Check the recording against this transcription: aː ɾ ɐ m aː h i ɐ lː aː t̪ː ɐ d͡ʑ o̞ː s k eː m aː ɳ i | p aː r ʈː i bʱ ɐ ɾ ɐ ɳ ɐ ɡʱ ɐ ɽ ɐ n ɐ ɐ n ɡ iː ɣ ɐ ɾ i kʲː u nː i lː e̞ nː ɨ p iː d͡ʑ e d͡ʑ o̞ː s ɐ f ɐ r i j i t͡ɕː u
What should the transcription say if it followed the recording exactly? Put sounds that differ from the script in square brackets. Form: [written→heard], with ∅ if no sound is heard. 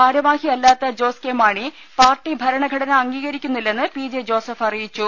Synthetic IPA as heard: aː ɾ ɐ m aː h i ɐ lː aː t̪ː ɐ d͡ʑ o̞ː s k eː m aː ɳ i | p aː r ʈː i bʱ ɐ ɾ ɐ ɳ ɐ ɡʱ ɐ ɽ ɐ n ɐ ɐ [n→ŋ] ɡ iː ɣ ɐ ɾ i kʲː u nː i lː e̞ nː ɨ p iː d͡ʑ e d͡ʑ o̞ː s ɐ f ɐ r i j i t͡ɕː u